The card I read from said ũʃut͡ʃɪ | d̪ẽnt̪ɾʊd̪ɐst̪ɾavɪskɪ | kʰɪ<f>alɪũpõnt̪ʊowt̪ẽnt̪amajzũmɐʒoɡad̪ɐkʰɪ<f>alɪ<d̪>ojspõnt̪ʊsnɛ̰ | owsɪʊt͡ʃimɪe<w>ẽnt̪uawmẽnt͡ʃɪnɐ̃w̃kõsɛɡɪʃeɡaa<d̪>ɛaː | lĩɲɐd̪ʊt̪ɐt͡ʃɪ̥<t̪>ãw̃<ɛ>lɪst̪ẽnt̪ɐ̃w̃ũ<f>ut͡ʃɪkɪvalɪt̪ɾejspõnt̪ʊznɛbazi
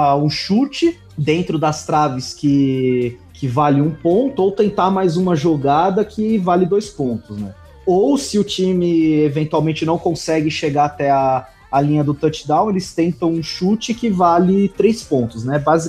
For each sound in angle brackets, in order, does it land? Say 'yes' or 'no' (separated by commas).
no, no, yes, no, no, no, no, no